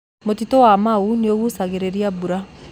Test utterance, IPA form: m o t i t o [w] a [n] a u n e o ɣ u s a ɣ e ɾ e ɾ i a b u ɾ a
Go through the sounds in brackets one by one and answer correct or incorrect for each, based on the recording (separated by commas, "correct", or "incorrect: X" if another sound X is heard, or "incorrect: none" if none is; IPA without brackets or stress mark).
correct, incorrect: m